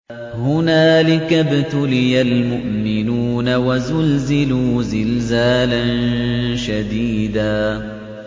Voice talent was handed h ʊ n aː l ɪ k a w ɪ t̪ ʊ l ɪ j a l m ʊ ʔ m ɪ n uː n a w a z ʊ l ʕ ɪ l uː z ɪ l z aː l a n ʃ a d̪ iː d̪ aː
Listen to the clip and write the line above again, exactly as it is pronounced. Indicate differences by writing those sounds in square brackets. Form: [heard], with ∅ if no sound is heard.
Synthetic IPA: h ʊ n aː l ɪ k a [b] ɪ t̪ ʊ l ɪ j a l m ʊ ʔ m ɪ n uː n a w a z ʊ l [z] ɪ l uː z ɪ l z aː l a n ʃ a d̪ iː d̪ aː